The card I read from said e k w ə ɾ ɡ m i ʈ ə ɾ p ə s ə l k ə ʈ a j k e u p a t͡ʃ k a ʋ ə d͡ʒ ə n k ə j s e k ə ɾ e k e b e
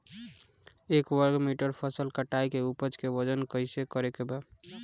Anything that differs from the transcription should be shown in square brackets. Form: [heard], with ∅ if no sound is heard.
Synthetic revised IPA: e k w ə ɾ ɡ m i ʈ ə ɾ [pʰ] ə s ə l k ə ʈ a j k e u p [ə] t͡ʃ k [e] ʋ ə d͡ʒ ə n k ə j s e k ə ɾ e k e b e